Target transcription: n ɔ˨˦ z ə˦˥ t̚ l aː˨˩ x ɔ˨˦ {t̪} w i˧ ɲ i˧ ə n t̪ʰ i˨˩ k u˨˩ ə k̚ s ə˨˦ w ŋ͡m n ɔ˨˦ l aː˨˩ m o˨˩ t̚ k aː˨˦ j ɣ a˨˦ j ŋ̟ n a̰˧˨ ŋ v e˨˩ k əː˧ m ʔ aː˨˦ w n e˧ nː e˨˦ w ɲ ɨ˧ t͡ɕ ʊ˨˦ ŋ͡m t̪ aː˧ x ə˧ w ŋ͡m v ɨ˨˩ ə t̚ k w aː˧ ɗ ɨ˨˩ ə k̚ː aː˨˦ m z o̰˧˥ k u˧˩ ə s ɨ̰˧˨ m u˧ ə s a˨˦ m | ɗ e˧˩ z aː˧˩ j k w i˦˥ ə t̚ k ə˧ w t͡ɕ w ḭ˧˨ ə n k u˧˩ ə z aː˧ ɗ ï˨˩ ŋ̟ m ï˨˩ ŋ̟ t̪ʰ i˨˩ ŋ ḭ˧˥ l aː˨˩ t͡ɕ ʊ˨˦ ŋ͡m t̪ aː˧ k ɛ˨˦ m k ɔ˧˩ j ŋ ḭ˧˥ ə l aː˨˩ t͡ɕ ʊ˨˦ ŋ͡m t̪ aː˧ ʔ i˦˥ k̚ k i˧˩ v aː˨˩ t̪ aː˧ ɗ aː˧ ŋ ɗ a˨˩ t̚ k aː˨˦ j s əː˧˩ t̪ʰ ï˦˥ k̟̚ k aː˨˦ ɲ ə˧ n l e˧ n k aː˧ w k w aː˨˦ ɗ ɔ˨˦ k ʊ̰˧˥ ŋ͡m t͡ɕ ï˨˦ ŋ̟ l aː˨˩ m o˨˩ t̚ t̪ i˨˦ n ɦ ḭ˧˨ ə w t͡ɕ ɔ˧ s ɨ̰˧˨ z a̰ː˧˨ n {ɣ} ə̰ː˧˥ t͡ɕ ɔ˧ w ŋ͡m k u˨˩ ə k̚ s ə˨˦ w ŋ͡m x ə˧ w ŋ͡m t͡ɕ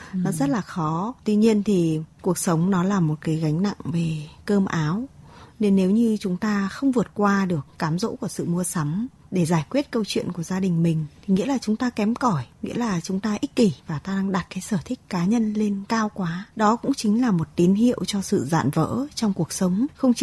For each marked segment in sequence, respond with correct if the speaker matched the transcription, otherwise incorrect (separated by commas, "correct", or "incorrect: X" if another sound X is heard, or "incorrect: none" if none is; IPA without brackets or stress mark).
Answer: correct, incorrect: v